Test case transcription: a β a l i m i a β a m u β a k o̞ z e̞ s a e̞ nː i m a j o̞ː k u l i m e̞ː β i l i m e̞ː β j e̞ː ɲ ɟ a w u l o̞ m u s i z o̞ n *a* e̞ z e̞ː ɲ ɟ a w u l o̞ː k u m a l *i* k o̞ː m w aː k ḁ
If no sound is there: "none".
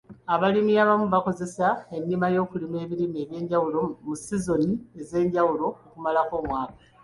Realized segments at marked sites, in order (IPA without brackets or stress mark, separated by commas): i, a